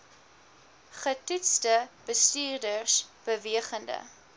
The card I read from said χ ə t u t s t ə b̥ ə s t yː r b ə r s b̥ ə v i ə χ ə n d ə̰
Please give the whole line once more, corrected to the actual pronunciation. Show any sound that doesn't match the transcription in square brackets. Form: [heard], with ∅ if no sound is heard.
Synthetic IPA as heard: χ ə t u t s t ə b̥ ə s t yː r [d] ə r s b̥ ə v i ə χ ə n d ə̰